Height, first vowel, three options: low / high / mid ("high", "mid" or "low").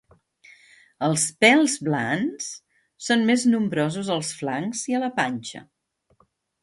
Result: mid